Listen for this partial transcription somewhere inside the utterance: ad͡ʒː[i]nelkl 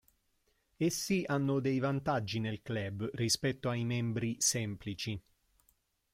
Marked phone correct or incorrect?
correct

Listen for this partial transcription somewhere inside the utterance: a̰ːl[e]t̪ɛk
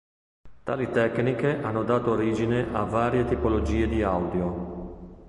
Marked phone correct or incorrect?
incorrect: i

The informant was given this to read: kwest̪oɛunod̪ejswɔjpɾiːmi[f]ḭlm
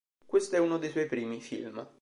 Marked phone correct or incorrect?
correct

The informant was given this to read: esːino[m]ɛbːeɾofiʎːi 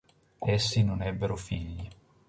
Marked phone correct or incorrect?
incorrect: n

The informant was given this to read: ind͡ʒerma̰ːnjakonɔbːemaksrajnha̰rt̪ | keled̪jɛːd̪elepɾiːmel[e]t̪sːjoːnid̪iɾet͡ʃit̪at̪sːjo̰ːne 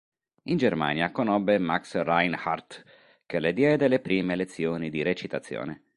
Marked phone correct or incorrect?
correct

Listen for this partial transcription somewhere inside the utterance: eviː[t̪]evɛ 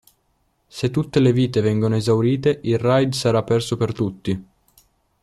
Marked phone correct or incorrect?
correct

